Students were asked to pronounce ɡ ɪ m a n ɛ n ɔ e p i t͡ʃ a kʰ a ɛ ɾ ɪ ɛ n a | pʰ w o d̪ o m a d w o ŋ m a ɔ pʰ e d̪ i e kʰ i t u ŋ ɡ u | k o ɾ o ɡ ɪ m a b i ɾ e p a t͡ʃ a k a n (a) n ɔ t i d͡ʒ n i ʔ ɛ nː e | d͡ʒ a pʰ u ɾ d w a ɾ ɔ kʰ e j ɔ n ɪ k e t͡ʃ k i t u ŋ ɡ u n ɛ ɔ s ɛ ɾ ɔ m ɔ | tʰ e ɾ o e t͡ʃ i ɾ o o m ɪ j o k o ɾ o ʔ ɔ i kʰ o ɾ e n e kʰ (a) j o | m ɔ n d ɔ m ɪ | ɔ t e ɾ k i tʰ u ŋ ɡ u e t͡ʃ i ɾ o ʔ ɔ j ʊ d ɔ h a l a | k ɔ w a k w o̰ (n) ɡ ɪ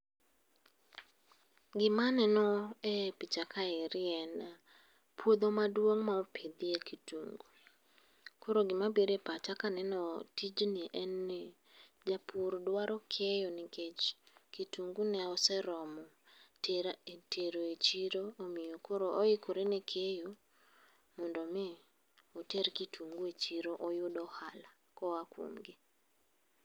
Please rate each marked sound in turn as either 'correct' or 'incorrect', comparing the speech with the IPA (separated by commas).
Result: incorrect, incorrect, incorrect